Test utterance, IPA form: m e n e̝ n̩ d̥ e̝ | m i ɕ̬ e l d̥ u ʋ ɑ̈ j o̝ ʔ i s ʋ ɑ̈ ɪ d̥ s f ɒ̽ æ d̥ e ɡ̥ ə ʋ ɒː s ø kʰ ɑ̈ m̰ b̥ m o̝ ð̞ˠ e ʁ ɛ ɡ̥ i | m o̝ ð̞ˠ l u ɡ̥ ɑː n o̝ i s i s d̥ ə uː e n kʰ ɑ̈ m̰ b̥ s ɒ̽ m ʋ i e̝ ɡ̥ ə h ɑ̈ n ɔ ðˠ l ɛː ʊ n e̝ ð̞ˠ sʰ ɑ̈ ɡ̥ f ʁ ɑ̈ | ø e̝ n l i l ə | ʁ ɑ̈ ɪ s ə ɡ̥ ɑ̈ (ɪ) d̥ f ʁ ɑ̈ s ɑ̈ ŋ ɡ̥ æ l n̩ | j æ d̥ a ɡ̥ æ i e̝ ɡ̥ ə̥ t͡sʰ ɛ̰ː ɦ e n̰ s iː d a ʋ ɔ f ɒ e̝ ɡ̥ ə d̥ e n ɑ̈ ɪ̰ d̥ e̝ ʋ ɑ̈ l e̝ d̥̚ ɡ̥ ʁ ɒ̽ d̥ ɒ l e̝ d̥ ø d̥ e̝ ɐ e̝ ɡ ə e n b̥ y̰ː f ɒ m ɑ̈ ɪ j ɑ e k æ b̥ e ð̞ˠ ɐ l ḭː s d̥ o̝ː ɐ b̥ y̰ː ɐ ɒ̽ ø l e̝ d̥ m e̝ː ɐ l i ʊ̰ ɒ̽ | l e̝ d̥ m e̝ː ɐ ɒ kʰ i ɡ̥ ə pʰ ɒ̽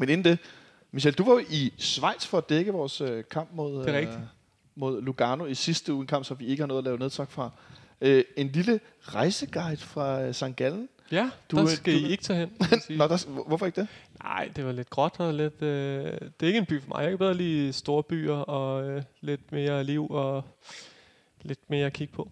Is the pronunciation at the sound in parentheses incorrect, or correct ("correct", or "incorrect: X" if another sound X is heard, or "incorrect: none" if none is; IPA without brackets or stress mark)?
correct